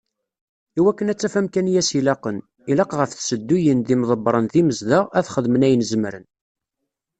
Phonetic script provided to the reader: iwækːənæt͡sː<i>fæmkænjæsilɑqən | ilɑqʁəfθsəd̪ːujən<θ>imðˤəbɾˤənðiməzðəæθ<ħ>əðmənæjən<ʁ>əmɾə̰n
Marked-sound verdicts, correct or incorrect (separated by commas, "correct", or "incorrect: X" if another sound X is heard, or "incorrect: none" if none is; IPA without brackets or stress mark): incorrect: æ, incorrect: ð, incorrect: χ, incorrect: z